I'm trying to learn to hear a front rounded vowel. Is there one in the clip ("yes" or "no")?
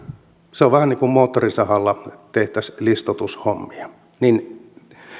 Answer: no